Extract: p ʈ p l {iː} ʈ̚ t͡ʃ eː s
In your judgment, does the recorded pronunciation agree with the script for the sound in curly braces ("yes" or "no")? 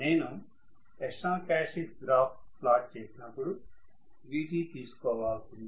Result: no